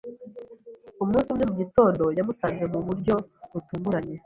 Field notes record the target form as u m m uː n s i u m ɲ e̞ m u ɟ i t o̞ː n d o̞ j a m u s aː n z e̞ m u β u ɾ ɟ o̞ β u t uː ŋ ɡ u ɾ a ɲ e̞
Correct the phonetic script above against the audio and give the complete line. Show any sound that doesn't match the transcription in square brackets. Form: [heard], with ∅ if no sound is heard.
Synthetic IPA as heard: u m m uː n s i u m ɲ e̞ m u ɟ i t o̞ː n d o̞ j a m u s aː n z e̞ m u β u ɾ ɟ o̞ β u t uː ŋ ɡ u ɾ a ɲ e̞